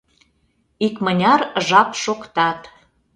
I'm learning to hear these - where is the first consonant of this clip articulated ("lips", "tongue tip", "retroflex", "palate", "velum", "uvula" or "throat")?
velum